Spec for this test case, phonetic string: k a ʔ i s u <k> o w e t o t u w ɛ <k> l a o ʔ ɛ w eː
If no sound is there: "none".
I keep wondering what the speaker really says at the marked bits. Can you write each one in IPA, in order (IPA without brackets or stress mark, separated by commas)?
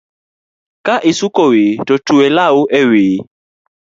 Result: k, none